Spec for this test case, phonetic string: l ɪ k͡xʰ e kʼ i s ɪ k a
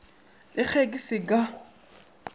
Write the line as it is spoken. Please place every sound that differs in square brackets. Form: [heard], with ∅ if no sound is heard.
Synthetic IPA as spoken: l ɪ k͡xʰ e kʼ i s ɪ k a